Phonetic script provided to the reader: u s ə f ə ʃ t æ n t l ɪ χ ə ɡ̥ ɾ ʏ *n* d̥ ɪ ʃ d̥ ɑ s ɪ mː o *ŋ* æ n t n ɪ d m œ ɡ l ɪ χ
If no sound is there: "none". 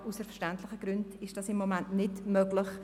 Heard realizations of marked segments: n, m

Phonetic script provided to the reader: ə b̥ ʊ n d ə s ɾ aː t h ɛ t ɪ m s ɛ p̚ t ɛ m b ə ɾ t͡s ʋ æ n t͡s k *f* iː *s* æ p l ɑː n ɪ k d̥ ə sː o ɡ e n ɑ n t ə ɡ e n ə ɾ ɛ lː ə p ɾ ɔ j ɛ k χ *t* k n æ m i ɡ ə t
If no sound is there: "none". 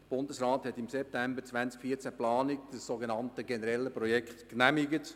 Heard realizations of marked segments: f, t͡s, t

